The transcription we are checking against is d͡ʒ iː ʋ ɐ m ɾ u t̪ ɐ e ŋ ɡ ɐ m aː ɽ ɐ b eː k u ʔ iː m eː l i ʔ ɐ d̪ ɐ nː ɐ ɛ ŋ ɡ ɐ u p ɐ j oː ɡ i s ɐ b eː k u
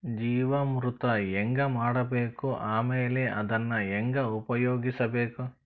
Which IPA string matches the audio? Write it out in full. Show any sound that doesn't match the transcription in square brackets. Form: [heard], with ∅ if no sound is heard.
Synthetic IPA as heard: d͡ʒ iː ʋ ɐ m ɾ u t̪ ɐ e ŋ ɡ ɐ m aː ɽ ɐ b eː k u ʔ [aː] m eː l [e] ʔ ɐ d̪ ɐ nː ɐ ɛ ŋ ɡ ɐ u p ɐ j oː ɡ i s ɐ b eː k u